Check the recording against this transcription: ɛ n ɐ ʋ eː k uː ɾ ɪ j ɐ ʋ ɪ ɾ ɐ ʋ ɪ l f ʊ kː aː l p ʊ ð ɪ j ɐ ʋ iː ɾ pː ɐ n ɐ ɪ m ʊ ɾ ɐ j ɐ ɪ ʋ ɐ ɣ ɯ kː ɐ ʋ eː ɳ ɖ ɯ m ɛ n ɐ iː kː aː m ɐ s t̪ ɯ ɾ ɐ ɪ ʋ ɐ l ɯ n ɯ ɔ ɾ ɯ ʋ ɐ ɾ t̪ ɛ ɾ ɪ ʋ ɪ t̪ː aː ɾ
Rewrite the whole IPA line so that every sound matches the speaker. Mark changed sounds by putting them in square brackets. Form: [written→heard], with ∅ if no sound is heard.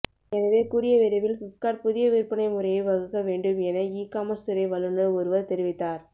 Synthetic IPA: ɛ n ɐ ʋ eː k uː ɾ ɪ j ɐ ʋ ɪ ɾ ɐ ʋ ɪ l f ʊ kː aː [l→ɾ] p ʊ ð ɪ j ɐ ʋ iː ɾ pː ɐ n ɐ ɪ m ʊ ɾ ɐ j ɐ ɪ ʋ ɐ ɣ ɯ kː ɐ ʋ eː ɳ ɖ ɯ m ɛ n ɐ iː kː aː m ɐ s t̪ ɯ ɾ ɐ ɪ ʋ ɐ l ɯ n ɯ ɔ ɾ ɯ ʋ ɐ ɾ t̪ ɛ ɾ ɪ ʋ ɪ t̪ː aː ɾ

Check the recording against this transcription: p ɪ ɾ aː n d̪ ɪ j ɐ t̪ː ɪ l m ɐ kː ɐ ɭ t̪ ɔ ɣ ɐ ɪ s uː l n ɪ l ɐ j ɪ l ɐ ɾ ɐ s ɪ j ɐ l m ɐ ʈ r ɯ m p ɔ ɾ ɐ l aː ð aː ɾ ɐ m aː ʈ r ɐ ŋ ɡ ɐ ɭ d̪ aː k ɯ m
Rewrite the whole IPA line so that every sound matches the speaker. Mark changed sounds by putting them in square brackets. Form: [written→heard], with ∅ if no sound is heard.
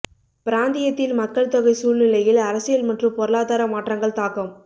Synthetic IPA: p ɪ ɾ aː n d̪ ɪ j ɐ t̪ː ɪ l m ɐ kː ɐ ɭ t̪ ɔ ɣ ɐ ɪ s uː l n ɪ l ɐ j ɪ l ɐ ɾ ɐ s ɪ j ɐ l m ɐ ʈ r ɯ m p ɔ ɾ ɐ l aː ð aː ɾ ɐ m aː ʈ r ɐ ŋ ɡ ɐ ɭ [d̪→t̪] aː k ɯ m

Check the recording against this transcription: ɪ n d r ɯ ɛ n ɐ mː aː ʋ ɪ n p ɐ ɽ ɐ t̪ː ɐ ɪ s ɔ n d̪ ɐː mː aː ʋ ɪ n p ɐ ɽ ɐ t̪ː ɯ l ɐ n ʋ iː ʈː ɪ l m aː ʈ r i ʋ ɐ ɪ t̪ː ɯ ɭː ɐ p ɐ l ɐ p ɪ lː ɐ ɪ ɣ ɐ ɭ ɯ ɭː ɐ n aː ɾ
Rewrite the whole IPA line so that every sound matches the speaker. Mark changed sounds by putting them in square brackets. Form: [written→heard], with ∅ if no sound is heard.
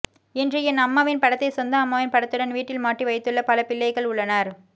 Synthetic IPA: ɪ n d r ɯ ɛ n ɐ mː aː ʋ ɪ n p ɐ ɽ ɐ t̪ː ɐ ɪ s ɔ n d̪ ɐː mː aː ʋ ɪ n p ɐ ɽ ɐ t̪ː ɯ [l→ɽ] ɐ n ʋ iː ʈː ɪ l m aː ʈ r i ʋ ɐ ɪ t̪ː ɯ ɭː ɐ p ɐ l ɐ p ɪ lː ɐ ɪ ɣ ɐ ɭ [ɯ→ʊ] ɭː ɐ n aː ɾ

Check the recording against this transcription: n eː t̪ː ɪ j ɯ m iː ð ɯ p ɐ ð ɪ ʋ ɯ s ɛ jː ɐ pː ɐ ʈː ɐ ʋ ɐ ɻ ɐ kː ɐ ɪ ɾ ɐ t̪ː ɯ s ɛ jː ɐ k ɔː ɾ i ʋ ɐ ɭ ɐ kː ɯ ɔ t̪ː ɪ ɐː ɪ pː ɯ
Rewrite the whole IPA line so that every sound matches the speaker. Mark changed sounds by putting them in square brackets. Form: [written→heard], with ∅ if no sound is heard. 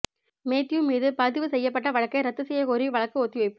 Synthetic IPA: [n→m] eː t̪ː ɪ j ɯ m iː ð ɯ p ɐ ð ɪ ʋ ɯ s ɛ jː ɐ pː ɐ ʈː ɐ ʋ ɐ ɻ ɐ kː ɐ ɪ ɾ ɐ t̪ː ɯ s ɛ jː ɐ k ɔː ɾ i ʋ ɐ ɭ ɐ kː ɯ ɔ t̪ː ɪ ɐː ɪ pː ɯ

